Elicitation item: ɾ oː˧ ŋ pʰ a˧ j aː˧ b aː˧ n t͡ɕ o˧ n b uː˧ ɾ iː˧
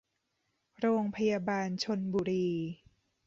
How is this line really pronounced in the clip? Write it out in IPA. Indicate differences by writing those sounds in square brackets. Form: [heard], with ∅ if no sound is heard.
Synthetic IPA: ɾ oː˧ ŋ pʰ a˧ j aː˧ b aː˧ n [t͡ɕʰ] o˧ n b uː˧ ɾ iː˧